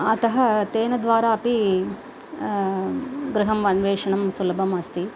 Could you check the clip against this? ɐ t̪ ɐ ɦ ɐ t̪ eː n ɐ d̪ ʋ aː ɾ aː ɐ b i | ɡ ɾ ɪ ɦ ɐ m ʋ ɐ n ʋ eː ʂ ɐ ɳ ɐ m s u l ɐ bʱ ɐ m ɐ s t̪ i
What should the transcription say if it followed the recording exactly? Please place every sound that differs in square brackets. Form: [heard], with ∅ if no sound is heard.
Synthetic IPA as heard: ɐ t̪ ɐ ɦ ɐ t̪ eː n ɐ d̪ ʋ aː ɾ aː ɐ [p] i | ɡ ɾ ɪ ɦ ɐ m ʋ ɐ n ʋ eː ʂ ɐ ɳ ɐ m s u l ɐ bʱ ɐ m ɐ s t̪ i